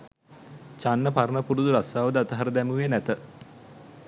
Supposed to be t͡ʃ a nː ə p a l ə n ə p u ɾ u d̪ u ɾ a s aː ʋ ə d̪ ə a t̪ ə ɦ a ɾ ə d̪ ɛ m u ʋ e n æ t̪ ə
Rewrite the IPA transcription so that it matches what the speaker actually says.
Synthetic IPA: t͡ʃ a nː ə p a ɾ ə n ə p u ɾ u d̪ u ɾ a s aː ʋ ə d̪ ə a t̪ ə ɦ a ɾ ə d̪ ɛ m u ʋ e n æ t̪ ə